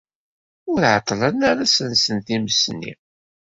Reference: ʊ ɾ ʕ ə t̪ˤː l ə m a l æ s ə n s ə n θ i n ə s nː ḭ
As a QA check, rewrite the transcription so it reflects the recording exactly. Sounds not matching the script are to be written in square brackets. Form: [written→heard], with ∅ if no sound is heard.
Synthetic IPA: ʊ ɾ ʕ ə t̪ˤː l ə [m→n] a [l→ɾ] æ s ə n s ə n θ i [n→m] ə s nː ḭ